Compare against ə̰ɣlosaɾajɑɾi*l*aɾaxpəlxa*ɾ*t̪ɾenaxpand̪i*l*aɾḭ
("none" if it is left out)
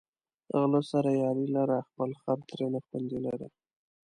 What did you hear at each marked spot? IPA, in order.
l, ɾ, l

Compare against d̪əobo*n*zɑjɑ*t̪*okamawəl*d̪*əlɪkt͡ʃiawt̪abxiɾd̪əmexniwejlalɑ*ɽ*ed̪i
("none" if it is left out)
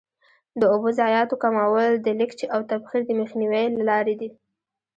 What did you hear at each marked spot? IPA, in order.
none, t̪, d̪, ɾ

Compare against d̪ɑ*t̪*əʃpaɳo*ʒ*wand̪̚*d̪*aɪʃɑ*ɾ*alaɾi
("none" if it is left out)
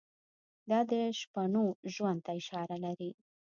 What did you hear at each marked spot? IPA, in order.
d̪, ʒ, t̪, ɾ

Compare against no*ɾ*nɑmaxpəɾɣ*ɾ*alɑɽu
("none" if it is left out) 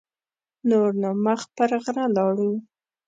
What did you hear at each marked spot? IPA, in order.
ɾ, ɾ

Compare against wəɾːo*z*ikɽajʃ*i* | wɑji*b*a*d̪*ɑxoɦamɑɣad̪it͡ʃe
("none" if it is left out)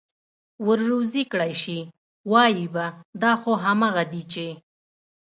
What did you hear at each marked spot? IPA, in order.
z, i, b, d̪

